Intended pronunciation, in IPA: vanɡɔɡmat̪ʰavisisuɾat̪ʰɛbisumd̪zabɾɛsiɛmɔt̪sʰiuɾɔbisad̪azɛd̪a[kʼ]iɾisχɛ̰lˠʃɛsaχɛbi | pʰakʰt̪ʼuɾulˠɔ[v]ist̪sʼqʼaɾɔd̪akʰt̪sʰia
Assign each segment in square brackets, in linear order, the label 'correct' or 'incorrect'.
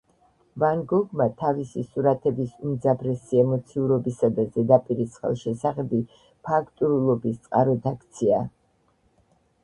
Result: incorrect, incorrect

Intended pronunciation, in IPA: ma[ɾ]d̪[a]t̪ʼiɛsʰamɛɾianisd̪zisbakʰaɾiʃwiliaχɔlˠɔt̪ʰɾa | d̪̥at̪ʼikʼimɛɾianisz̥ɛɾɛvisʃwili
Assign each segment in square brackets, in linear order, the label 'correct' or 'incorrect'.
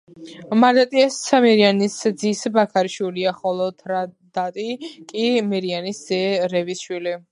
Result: correct, correct

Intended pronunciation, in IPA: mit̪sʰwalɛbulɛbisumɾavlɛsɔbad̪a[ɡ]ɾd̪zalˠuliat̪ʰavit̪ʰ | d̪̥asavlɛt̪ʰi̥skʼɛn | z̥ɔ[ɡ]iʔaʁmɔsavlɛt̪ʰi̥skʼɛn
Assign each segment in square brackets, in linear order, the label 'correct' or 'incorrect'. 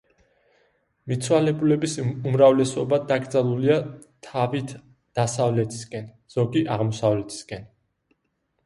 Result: correct, correct

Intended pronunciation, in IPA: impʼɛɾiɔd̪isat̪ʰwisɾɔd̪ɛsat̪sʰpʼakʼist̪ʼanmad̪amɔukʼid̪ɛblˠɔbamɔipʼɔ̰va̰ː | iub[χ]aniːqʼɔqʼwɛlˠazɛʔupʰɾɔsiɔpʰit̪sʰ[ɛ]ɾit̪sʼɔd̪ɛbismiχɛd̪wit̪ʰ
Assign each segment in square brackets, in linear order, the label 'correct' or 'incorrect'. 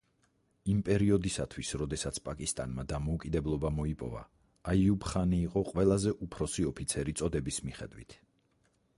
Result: correct, correct

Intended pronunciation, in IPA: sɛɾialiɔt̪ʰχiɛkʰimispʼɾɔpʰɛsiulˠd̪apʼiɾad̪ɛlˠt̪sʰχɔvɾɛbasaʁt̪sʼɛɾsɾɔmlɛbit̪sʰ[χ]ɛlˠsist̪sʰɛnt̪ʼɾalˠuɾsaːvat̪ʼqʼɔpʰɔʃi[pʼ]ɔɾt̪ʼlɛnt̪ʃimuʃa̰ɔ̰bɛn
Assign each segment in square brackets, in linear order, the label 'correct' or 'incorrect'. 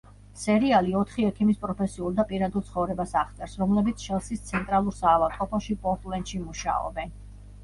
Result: incorrect, correct

